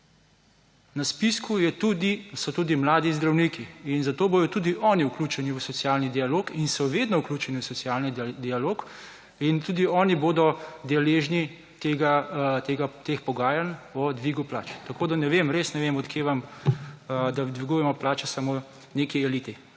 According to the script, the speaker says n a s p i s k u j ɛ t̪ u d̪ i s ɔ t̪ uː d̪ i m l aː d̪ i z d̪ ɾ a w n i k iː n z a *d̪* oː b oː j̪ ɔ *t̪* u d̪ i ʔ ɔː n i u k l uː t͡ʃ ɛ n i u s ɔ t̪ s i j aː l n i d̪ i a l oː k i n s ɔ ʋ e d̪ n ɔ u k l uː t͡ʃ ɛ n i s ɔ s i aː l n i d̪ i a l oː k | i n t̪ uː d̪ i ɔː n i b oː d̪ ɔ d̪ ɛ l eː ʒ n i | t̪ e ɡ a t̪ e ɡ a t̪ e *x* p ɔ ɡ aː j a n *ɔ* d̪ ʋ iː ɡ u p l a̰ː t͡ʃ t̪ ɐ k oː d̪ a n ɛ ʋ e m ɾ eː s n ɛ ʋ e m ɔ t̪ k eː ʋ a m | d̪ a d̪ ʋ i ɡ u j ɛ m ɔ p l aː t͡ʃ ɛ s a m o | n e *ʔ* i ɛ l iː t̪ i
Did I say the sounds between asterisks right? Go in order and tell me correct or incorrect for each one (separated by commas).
incorrect, correct, correct, correct, incorrect